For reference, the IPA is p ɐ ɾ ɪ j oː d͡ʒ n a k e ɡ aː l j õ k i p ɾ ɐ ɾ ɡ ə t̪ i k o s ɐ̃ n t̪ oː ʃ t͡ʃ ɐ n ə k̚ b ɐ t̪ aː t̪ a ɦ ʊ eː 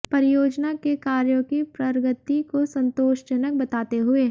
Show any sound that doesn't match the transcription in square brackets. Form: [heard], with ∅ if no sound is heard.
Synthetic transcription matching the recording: p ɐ ɾ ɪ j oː d͡ʒ n a k e [k] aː [ɾ] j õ k i p ɾ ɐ ɾ ɡ ə t̪ i k o s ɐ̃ n t̪ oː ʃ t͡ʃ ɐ n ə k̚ b ɐ t̪ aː t̪ [e] ɦ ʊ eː